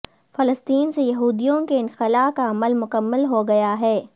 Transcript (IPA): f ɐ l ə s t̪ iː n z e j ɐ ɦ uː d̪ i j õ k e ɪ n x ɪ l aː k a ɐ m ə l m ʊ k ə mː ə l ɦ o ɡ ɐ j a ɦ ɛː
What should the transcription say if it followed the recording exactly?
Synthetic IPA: f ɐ l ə s t̪ iː n s e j ɐ ɦ uː d̪ i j õ k e ɪ n x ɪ l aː k a ɐ m ə l m ʊ k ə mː ə l ɦ o ɡ ɐ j a ɦ ɛː